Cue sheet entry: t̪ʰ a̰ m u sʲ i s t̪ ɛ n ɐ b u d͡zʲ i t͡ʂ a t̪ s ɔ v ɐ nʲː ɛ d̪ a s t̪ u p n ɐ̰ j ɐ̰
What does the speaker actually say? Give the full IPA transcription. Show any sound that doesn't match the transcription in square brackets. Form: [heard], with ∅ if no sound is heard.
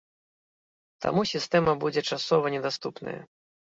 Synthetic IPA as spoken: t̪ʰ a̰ m u sʲ i s t̪ ɛ [m] ɐ b u d͡zʲ [ɛ] t͡ʂ a [∅] s ɔ v ɐ [nʲ] ɛ d̪ a s t̪ u p n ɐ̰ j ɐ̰